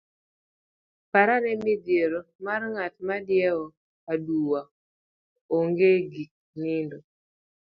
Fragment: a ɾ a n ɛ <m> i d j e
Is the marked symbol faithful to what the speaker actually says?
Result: yes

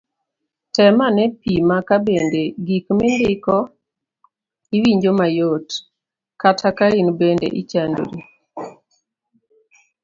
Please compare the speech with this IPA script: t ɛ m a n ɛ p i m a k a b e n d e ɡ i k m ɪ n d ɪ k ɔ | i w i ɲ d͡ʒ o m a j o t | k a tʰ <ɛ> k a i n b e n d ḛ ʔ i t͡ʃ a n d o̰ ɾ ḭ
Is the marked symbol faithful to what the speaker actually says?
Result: no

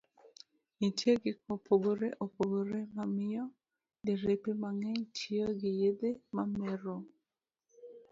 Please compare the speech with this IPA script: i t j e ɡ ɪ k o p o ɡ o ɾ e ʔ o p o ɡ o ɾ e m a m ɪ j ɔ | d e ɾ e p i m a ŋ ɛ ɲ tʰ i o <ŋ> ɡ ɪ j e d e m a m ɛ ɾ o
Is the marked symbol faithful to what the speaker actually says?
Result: no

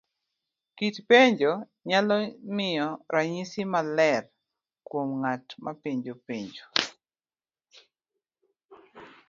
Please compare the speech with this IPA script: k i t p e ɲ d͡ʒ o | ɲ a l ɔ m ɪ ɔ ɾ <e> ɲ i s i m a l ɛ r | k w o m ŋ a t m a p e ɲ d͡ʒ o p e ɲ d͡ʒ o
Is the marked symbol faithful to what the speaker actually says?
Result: no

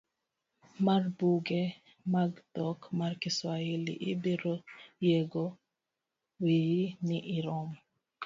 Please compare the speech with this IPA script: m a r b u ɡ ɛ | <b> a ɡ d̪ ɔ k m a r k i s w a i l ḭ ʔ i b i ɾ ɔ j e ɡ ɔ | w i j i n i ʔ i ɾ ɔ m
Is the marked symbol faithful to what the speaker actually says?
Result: no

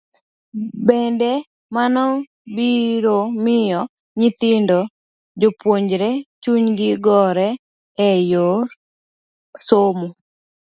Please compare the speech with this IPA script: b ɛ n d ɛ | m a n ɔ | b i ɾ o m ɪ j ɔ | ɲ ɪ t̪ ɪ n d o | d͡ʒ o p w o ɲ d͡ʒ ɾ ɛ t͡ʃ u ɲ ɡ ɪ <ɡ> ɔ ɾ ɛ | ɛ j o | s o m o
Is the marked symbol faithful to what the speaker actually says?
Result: yes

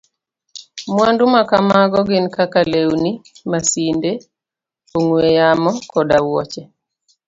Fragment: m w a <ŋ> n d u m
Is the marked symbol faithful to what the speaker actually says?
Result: no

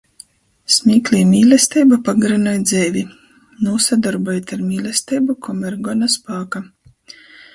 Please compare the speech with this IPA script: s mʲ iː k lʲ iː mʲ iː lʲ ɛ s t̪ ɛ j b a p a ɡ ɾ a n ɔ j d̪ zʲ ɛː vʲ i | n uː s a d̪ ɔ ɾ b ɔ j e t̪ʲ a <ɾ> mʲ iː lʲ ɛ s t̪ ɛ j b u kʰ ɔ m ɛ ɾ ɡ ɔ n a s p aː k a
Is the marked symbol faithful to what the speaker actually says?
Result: yes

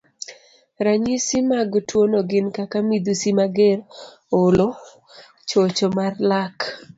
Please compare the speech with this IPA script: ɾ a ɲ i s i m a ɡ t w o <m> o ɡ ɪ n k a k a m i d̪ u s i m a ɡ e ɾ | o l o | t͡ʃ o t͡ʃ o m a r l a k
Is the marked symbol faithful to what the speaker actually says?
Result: no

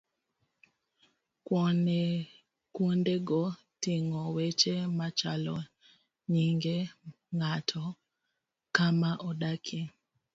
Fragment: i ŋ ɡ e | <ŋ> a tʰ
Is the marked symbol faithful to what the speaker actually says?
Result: yes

